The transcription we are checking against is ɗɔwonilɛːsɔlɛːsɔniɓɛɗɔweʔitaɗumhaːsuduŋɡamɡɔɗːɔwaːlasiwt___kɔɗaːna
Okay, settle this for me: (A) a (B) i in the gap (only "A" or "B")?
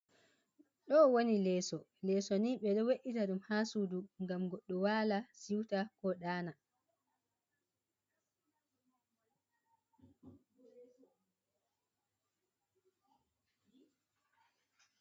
A